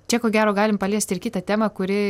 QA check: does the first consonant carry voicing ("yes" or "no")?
no